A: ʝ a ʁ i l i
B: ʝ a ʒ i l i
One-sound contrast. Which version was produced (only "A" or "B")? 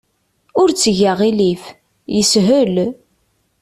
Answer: A